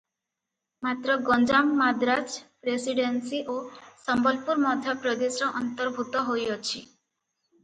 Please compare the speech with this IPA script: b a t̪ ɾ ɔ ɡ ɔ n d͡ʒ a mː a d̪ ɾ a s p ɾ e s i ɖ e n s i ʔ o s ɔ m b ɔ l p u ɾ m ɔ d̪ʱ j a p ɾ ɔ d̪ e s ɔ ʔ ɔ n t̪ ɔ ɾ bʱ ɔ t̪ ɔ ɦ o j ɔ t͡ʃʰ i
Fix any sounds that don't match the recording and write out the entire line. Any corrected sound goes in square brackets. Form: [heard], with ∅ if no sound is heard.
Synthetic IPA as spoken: [m] a t̪ ɾ ɔ ɡ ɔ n d͡ʒ a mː a d̪ ɾ a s p ɾ e s i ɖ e n s i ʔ o s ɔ m b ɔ l p u ɾ m ɔ d̪ʱ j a p ɾ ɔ d̪ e s ɔ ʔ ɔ n t̪ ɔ ɾ bʱ [u] t̪ ɔ ɦ o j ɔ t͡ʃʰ i